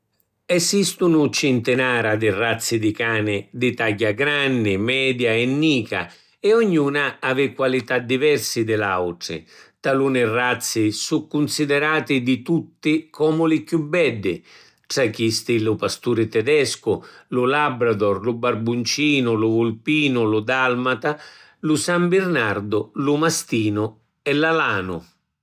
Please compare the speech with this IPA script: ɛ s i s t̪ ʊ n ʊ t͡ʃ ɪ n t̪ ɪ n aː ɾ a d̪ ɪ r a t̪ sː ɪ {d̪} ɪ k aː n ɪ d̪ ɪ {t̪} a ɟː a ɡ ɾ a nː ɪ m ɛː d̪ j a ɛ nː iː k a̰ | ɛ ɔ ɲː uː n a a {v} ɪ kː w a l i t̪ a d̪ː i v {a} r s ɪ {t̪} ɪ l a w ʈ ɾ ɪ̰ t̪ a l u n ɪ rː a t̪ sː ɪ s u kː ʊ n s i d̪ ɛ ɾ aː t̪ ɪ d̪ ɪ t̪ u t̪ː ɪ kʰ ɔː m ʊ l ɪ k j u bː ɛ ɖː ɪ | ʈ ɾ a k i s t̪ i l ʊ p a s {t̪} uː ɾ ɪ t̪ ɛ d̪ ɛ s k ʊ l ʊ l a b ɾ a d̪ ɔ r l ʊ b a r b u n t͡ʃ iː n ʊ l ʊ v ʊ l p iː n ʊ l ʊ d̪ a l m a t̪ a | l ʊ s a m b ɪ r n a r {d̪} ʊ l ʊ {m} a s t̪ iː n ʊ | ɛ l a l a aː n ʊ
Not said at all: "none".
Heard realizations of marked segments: d̪, t̪, v, ɛ, d̪, t̪, d̪, m

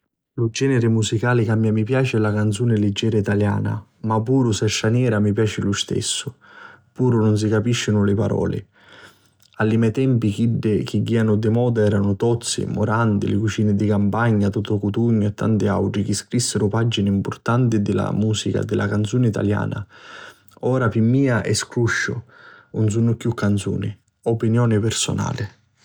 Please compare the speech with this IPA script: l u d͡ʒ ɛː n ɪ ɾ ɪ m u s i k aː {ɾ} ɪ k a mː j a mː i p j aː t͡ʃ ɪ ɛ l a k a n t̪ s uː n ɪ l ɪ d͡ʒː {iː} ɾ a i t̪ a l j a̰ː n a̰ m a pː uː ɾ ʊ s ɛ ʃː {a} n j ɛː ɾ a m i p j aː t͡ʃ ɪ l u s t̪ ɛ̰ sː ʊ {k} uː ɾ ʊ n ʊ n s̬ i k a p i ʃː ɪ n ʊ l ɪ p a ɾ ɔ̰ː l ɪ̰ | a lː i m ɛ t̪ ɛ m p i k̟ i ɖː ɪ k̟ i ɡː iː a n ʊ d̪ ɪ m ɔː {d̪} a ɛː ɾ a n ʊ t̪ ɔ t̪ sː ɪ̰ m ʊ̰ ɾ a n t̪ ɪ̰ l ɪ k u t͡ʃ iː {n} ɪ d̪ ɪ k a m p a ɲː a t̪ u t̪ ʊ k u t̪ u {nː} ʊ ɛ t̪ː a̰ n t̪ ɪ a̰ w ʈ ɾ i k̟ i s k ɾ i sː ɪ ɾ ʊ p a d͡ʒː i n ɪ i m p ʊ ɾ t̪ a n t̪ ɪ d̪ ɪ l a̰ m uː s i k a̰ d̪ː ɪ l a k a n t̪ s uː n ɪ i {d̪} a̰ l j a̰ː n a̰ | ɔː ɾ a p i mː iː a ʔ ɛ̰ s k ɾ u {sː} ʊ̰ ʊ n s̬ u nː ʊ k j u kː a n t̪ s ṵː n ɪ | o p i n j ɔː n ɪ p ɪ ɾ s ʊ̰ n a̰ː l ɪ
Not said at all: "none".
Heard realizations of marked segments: l, ɛː, a, p, d̪, n, ɲː, t̪, ʃː

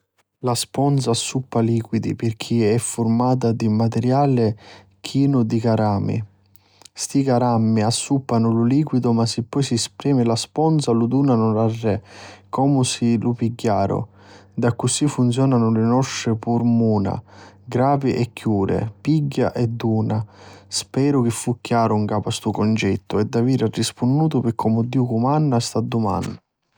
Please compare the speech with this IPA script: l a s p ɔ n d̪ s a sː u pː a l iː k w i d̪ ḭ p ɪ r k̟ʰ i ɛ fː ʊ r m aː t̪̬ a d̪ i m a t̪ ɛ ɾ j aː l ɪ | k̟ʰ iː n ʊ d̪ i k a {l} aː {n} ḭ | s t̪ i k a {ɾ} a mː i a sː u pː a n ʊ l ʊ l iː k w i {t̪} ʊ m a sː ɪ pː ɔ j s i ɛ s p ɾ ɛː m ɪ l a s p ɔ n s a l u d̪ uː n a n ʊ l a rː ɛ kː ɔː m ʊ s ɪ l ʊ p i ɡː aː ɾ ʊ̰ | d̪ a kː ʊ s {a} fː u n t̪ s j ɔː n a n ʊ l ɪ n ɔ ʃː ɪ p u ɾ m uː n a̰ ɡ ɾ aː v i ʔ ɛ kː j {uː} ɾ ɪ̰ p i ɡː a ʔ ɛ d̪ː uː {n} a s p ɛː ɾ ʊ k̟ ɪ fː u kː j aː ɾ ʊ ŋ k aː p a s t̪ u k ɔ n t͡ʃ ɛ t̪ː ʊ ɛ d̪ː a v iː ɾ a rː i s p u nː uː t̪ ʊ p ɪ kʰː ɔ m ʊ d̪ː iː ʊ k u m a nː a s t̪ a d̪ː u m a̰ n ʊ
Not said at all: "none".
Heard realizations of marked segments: ɾ, m, ɾ, d̪, i, uː, n

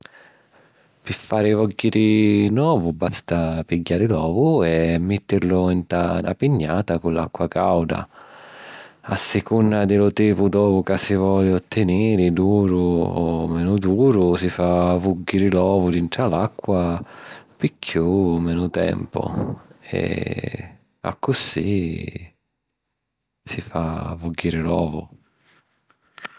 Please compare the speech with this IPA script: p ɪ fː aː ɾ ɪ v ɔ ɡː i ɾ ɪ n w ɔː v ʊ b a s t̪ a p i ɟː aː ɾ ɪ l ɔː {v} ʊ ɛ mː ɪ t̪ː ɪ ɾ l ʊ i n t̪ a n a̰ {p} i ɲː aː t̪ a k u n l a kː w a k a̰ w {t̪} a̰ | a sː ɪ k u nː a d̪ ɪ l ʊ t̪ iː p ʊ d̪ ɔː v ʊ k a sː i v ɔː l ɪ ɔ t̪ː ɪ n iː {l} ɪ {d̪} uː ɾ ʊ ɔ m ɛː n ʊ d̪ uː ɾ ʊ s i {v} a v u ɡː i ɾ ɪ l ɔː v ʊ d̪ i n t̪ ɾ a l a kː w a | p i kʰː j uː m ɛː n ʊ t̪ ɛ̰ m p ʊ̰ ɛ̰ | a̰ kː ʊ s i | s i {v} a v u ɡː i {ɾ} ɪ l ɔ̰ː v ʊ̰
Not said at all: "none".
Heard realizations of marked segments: v, p, d̪, ɾ, d̪, f, f, ɾ

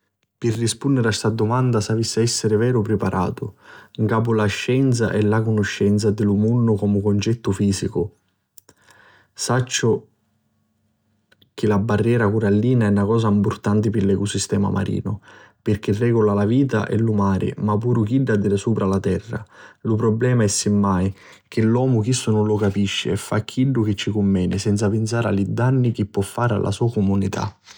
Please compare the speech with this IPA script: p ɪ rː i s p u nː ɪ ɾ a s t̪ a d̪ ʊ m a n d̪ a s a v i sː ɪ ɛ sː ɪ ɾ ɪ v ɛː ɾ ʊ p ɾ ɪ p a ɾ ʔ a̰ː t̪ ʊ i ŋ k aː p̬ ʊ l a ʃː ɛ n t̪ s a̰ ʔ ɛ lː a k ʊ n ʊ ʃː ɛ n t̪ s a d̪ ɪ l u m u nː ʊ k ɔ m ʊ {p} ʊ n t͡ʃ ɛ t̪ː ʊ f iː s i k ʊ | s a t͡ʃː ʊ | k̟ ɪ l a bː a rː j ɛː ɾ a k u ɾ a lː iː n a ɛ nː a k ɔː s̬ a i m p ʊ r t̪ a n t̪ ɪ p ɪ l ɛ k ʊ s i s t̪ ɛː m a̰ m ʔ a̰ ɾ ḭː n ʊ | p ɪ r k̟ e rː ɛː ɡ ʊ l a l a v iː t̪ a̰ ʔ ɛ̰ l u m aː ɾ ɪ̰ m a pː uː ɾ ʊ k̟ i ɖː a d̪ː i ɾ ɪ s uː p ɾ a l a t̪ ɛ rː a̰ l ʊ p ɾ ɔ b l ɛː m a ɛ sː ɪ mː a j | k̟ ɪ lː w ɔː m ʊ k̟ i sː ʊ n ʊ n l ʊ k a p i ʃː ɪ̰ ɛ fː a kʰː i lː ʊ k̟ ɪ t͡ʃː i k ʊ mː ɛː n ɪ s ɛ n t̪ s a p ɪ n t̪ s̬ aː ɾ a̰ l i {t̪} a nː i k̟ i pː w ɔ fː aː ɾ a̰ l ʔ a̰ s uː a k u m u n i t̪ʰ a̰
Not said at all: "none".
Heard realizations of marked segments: k, d̪

